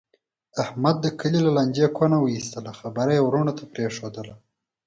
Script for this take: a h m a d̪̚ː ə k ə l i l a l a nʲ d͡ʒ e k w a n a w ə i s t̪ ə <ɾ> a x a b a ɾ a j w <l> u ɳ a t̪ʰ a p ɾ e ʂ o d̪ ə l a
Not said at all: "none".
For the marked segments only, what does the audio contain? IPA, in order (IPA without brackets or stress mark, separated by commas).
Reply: l, ɾ